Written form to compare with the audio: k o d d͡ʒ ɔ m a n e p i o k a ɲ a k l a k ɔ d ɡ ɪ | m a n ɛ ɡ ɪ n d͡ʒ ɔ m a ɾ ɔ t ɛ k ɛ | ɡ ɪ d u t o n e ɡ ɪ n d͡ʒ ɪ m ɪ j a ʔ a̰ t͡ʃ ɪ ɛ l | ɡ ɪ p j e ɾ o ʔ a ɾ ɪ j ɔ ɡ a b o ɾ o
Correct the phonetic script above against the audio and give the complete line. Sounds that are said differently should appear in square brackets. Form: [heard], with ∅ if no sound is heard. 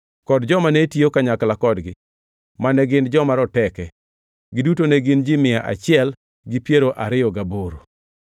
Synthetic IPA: k [ɔ] d d͡ʒ ɔ m a n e [t] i o k a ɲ a k l a k ɔ d ɡ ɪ | m a n ɛ ɡ ɪ n d͡ʒ ɔ m a ɾ ɔ t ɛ k ɛ | ɡ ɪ d u t o n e ɡ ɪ n d͡ʒ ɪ m ɪ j a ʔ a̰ t͡ʃ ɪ ɛ l | ɡ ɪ p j e ɾ o ʔ a ɾ ɪ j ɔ ɡ a b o ɾ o